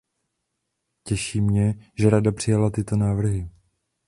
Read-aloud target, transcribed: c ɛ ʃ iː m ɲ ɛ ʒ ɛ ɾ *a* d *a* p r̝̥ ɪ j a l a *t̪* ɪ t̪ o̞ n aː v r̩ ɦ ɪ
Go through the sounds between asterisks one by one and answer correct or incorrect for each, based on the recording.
correct, correct, correct

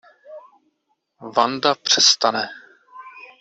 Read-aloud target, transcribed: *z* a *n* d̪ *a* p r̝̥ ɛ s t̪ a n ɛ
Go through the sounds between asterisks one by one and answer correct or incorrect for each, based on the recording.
incorrect, correct, correct

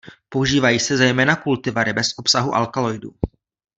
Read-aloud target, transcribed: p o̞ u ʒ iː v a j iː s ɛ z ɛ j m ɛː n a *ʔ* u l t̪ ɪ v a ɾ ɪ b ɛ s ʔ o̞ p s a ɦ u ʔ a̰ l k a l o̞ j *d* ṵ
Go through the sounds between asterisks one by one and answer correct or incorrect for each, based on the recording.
incorrect, correct

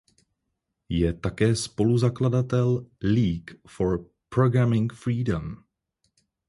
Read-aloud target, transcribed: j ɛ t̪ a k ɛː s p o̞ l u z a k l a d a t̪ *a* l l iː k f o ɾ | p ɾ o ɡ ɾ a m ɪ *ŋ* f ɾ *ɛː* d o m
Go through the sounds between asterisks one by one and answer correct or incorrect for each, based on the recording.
incorrect, correct, incorrect

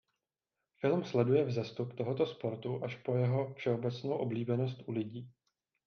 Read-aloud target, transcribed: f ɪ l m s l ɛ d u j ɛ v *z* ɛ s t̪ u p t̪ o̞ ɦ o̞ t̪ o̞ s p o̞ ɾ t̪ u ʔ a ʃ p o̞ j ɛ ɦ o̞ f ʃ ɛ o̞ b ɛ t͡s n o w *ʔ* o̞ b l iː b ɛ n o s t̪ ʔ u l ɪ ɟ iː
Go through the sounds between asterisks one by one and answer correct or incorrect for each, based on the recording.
correct, correct

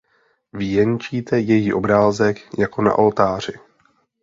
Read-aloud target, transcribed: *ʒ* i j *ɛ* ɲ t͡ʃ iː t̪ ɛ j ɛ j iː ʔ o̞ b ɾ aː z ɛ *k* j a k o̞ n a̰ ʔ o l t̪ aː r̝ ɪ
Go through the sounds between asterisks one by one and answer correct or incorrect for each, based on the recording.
incorrect, correct, correct

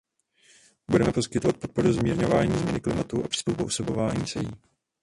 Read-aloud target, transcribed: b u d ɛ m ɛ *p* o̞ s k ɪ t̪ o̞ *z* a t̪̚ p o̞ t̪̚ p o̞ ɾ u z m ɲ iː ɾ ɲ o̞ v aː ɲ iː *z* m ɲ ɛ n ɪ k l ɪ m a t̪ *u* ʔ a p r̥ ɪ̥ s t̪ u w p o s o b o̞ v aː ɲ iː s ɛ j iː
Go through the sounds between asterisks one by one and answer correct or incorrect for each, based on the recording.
correct, incorrect, correct, correct

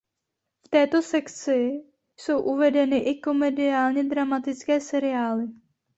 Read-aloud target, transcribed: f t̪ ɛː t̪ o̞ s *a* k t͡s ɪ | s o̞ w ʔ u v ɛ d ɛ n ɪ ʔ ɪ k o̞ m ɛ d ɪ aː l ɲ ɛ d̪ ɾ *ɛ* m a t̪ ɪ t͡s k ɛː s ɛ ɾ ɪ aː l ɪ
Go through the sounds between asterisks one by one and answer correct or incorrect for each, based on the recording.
incorrect, incorrect

